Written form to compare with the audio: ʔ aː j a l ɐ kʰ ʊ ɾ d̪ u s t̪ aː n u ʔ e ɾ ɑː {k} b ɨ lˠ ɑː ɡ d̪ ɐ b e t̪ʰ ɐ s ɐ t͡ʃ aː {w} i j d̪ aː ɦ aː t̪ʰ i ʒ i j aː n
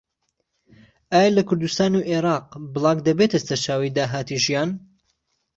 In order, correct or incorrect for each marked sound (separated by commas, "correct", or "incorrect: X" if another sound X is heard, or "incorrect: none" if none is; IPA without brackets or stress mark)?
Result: incorrect: q, correct